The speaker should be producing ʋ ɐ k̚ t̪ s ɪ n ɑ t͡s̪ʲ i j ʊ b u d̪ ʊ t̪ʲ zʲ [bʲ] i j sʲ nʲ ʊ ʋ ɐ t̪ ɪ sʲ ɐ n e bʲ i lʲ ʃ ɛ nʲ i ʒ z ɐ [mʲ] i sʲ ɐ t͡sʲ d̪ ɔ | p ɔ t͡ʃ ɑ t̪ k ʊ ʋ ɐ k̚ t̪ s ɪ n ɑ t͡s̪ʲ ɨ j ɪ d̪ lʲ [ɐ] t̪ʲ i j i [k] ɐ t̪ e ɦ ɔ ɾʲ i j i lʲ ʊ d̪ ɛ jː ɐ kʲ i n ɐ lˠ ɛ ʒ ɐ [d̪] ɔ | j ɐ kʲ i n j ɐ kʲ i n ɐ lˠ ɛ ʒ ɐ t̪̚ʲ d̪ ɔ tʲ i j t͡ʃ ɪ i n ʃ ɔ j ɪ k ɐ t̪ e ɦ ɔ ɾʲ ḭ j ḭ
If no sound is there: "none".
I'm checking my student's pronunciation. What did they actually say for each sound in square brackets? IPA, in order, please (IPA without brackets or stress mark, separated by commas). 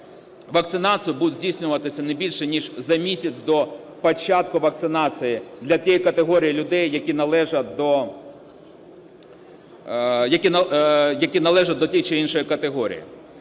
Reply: dʲ, mʲ, ɐ, k, d̪